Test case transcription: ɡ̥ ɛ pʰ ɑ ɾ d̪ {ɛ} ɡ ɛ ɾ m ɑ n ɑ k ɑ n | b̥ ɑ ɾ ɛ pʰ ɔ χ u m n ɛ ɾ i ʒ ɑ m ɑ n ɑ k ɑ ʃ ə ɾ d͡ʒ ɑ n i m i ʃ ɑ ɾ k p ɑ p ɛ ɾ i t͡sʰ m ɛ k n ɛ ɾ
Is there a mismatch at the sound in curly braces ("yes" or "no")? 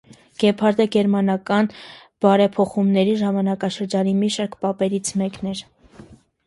no